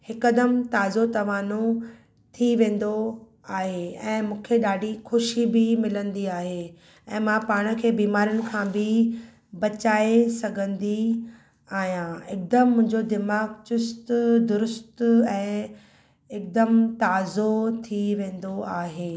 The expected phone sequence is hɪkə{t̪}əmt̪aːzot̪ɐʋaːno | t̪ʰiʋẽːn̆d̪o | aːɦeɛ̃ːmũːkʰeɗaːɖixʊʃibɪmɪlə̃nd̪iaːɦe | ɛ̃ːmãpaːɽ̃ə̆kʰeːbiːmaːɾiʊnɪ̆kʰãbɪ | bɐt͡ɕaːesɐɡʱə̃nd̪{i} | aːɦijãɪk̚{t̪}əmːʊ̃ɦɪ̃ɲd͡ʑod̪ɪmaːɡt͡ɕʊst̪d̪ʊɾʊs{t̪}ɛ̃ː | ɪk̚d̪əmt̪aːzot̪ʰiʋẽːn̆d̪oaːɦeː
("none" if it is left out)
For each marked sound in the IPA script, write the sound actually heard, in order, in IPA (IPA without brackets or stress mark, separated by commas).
d̪, i, d̪, t̪